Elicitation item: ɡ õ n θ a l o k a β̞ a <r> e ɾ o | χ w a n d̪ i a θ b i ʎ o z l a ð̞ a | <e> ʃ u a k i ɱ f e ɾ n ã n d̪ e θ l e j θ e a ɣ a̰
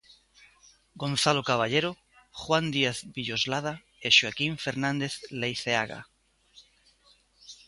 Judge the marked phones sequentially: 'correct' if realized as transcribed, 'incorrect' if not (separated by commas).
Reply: incorrect, correct